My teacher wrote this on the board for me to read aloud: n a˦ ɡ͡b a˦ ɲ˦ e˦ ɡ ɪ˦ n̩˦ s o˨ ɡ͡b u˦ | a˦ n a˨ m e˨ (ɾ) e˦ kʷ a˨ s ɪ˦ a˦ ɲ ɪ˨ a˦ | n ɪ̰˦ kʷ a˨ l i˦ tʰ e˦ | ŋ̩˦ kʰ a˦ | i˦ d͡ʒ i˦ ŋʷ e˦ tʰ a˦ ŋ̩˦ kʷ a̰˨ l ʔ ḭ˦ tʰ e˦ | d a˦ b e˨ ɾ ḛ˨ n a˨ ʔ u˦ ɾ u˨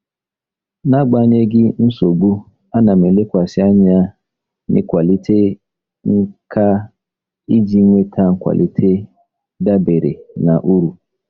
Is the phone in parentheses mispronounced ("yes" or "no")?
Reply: yes